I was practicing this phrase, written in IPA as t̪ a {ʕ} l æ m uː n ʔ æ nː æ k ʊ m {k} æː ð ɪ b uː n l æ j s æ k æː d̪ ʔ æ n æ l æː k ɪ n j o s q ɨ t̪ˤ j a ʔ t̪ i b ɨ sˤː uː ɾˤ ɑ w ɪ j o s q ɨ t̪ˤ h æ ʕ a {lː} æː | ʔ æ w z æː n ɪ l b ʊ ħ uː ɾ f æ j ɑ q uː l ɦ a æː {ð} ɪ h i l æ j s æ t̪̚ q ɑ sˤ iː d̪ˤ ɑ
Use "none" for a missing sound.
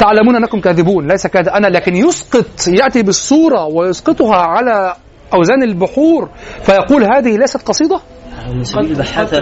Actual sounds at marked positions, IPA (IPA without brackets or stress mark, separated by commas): ʕ, k, l, ð